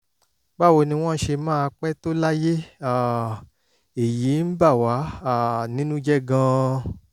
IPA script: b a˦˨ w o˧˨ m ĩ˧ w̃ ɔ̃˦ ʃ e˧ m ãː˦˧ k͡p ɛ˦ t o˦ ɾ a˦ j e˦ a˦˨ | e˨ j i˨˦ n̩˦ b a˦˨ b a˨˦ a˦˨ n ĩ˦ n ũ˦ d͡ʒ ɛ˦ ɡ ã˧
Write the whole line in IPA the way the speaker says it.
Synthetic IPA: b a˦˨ w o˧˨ n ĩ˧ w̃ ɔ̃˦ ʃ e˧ m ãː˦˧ k͡p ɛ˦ t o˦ l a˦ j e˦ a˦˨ | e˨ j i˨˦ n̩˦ b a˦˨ w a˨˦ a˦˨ n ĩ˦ n ũ˦ d͡ʒ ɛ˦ ɡ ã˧